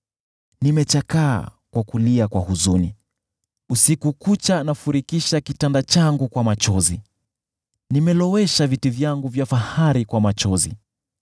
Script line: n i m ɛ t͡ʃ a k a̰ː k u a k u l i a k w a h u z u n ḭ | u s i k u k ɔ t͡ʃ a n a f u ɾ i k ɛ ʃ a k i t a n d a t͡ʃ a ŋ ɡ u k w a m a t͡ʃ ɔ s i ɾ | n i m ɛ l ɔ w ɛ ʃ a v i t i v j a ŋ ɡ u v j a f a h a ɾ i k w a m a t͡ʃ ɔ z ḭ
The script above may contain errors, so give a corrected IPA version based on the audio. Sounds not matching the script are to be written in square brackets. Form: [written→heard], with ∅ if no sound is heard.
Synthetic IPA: n i m ɛ t͡ʃ a k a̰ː k [u→w] a k u l i a k w a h u z u n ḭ | u s i k u k [ɔ→u] t͡ʃ a n a f u ɾ i k [ɛ→i] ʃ a k i t a n d a t͡ʃ a ŋ ɡ u k w a m a t͡ʃ ɔ [s→z] i [ɾ→∅] | n i m ɛ l ɔ w ɛ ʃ a v i t i v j a ŋ ɡ u v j a f a h a ɾ i k w a m a t͡ʃ ɔ z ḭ

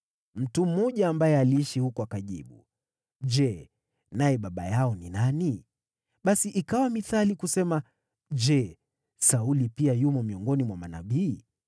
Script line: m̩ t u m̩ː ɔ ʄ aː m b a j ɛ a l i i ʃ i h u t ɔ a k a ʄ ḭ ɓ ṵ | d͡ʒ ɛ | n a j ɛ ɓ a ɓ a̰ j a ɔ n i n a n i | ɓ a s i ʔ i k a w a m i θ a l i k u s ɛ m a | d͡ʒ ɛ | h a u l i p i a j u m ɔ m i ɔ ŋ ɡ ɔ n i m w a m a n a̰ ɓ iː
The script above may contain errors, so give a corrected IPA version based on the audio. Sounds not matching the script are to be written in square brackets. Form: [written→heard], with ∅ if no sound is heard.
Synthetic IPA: m̩ t u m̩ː ɔ ʄ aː m b a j ɛ a l i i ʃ i h u [t→k] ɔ a k a ʄ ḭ ɓ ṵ | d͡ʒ ɛ | n a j ɛ ɓ a ɓ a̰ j a ɔ n i n a n i | ɓ a s i ʔ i k a w a m i θ a l i k u s ɛ m a | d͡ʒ ɛ | [h→s] a u l i p i a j u m ɔ m i ɔ ŋ ɡ ɔ n i m w a m a n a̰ ɓ iː

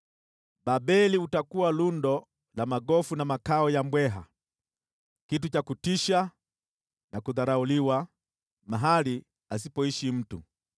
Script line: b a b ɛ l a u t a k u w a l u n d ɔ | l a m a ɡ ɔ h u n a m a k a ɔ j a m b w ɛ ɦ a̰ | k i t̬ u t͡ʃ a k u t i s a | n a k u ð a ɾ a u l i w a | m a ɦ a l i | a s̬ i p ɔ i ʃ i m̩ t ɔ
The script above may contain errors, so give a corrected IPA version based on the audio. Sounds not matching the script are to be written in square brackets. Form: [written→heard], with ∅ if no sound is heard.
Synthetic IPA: b a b ɛ l [a→i] u t a k u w a l u n d ɔ | l a m a ɡ ɔ [h→f] u n a m a k a ɔ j a m b w ɛ ɦ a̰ | k i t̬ u t͡ʃ a k u t i [s→ʃ] a | n a k u ð a ɾ a u l i w a | m a ɦ a l i | a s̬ i p ɔ i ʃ i m̩ t [ɔ→u]

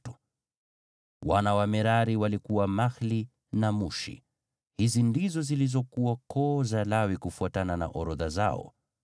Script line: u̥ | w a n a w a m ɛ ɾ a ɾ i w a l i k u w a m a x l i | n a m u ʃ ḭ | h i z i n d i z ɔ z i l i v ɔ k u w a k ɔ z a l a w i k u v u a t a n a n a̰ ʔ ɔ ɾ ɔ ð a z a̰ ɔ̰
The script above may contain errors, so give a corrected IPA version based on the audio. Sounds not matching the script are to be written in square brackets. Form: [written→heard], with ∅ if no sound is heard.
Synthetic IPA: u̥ | w a n a w a m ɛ ɾ a ɾ i w a l i k u w a m a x l i | n a m u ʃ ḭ | h i z i n d i z ɔ z i l i [v→z] ɔ k u w a k ɔ z a l a w i k u [v→f] u a t a n a n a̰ ʔ ɔ ɾ ɔ ð a z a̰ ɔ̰

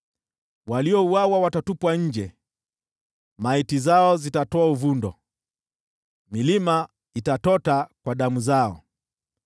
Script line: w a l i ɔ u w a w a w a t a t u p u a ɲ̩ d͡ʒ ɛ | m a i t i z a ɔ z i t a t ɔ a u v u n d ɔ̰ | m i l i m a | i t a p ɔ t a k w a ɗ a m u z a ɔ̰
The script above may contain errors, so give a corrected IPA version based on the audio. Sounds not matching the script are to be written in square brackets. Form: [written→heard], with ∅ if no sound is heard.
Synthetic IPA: w a l i ɔ u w a w a w a t a t u p [u→w] a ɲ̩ d͡ʒ ɛ | m a i t i z a ɔ z i t a t ɔ a u v u n d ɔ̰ | m i l i m a | i t a [p→t] ɔ t a k w a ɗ a m u z a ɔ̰

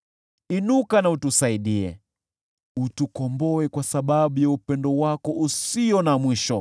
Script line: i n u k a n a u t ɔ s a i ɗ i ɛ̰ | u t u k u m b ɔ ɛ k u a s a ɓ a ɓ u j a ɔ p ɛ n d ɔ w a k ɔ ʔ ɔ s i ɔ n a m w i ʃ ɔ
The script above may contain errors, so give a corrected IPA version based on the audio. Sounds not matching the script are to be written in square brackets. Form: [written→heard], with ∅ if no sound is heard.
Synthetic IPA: i n u k a n a u t [ɔ→u] s a i ɗ i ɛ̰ | u t u k [u→ɔ] m b ɔ ɛ k [u→w] a s a ɓ a ɓ u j a [ɔ→u] p ɛ n d ɔ w a k ɔ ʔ [ɔ→u] s i ɔ n a m w i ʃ ɔ

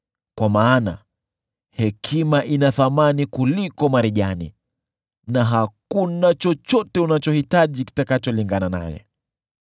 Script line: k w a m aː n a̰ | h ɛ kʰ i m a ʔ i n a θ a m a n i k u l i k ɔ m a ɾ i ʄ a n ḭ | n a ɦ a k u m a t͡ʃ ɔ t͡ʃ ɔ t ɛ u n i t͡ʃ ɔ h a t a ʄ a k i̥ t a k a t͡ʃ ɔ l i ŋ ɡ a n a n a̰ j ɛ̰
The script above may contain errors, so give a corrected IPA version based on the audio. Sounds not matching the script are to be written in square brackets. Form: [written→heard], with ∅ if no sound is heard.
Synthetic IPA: k w a m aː n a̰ | h ɛ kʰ i m a ʔ i n a θ a m a n i k u l i k ɔ m a ɾ i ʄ a n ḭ | n a ɦ a k u [m→n] a t͡ʃ ɔ t͡ʃ ɔ t ɛ u n [i→a] t͡ʃ ɔ h [a→i] t a ʄ [a→i] k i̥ t a k a t͡ʃ ɔ l i ŋ ɡ a n a n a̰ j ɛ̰

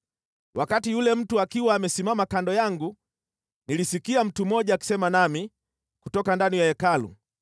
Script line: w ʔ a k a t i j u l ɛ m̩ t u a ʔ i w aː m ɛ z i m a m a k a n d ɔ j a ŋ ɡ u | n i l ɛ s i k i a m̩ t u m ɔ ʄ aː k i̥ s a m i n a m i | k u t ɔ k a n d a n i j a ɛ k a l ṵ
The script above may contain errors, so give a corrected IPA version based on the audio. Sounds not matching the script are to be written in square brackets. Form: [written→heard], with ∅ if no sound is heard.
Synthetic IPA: w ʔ a k a t i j u l ɛ m̩ t u a [ʔ→k] i w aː m ɛ [z→s] i m a m a k a n d ɔ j a ŋ ɡ u | n i l [ɛ→i] s i k i a m̩ t u m ɔ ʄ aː k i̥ s [a→ɛ] m [i→a] n a m i | k u t ɔ k a n d a n i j a ɛ k a l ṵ

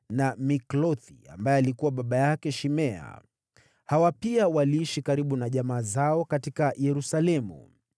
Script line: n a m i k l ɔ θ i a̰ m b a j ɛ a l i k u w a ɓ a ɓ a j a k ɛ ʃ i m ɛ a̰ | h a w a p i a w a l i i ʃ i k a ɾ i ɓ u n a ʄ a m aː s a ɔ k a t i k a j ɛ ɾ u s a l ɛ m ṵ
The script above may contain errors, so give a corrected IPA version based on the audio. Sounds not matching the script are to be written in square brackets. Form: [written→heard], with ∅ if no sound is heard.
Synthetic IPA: n a m i k l ɔ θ i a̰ m b a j ɛ a l i k u w a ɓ a ɓ a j a k ɛ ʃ i m ɛ a̰ | h a w a p i a w a l i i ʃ i k a ɾ i ɓ u n a ʄ a m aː [s→z] a ɔ k a t i k a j ɛ ɾ u s a l ɛ m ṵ

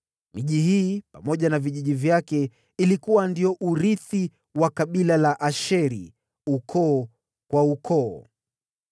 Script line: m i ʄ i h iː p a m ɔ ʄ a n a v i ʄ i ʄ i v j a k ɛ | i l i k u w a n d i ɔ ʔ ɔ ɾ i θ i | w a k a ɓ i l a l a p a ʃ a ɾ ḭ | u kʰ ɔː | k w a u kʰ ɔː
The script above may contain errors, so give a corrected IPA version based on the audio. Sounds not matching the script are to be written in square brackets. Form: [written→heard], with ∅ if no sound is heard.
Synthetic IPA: m i ʄ i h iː p a m ɔ ʄ a n a v i ʄ i ʄ i v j a k ɛ | i l i k u w a n d i ɔ ʔ [ɔ→u] ɾ i θ i | w a k a ɓ i l a l a [p→ʔ] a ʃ [a→ɛ] ɾ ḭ | u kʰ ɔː | k w a u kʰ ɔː

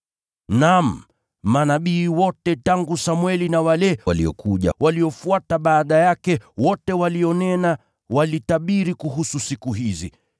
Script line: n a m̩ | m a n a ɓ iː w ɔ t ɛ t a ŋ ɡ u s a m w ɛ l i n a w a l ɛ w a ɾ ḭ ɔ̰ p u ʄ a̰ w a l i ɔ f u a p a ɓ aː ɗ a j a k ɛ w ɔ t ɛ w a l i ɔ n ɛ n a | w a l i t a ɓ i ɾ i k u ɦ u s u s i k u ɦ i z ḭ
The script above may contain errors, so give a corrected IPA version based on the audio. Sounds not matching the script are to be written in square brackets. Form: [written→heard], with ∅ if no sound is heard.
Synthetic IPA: n a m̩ | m a n a ɓ iː w ɔ t ɛ t a ŋ ɡ u s a m w ɛ l i n a w a l ɛ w a [ɾ→l] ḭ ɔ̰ [p→k] u ʄ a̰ w a l i ɔ f u a [p→t] a ɓ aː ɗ a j a k ɛ w ɔ t ɛ w a l i ɔ n ɛ n a | w a l i t a ɓ i ɾ i k u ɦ u s u s i k u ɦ i z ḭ

